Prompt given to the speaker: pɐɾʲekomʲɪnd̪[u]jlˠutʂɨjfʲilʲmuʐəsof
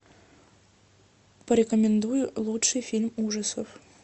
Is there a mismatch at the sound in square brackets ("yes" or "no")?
no